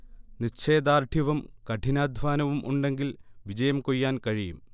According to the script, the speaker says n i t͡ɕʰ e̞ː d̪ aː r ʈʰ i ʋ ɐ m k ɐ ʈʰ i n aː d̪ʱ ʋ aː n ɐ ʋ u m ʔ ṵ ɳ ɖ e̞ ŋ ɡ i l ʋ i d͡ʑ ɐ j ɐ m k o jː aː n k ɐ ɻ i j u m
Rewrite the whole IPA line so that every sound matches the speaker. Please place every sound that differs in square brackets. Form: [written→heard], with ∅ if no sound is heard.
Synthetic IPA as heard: n i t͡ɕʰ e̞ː d̪ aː r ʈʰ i ʋ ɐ m k ɐ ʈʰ i n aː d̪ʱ ʋ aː n ɐ ʋ u m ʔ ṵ ɳ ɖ e̞ ŋ ɡ i l ʋ i d͡ʑ ɐ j ɐ m k o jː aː n k ɐ ɻ i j u m